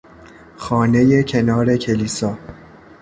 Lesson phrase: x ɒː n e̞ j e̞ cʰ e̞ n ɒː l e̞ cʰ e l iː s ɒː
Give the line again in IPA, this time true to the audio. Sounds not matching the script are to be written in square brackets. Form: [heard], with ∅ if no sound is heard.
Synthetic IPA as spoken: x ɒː n e̞ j e̞ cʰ e̞ n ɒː [ɾ] e̞ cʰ e l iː s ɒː